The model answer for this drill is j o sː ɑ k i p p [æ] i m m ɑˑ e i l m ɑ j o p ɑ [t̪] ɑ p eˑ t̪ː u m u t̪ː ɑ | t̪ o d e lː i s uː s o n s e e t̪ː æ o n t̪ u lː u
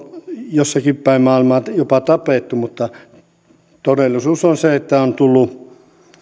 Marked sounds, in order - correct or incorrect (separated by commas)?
correct, correct